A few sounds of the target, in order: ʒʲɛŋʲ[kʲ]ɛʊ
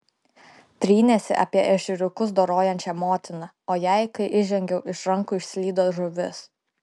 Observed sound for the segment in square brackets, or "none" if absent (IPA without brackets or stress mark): ɡʲ